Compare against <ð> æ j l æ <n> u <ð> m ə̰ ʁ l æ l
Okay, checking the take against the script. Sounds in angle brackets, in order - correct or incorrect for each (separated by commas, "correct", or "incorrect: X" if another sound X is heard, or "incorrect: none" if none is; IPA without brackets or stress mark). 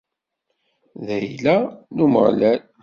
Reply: correct, correct, incorrect: none